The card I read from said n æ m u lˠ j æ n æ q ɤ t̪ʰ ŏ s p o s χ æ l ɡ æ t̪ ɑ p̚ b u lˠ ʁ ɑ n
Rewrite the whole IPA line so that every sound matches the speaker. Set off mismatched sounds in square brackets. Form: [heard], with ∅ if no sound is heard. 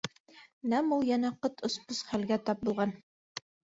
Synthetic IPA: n æ m u lˠ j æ n æ q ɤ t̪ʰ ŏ s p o s χ æ l ɡ æ t̪ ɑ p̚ b u lˠ ʁ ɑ n